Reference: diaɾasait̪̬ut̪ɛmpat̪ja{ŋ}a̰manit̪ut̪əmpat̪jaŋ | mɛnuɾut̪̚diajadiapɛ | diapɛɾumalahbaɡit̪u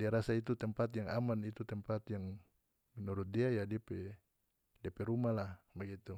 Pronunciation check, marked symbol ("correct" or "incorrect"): correct